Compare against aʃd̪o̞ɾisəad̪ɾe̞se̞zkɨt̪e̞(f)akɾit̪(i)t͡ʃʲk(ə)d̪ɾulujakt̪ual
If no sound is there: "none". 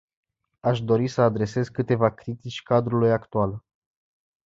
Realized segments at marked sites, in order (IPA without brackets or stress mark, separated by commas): v, i, a